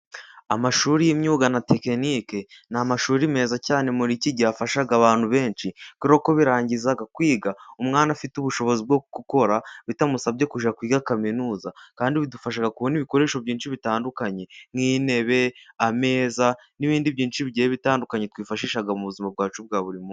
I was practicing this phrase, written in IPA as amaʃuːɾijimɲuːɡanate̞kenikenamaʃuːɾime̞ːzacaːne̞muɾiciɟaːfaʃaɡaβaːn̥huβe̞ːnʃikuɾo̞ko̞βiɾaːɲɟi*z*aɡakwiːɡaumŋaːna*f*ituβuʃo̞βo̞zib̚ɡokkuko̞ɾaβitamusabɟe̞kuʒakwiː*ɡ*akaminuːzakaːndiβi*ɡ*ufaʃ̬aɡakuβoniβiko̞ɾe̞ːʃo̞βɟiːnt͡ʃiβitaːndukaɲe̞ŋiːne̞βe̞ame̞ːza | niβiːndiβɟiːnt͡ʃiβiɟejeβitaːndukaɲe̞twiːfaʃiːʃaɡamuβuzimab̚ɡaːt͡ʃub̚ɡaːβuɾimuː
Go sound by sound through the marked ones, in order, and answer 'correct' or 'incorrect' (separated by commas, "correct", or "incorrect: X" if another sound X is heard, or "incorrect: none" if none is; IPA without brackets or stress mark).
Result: correct, correct, correct, incorrect: d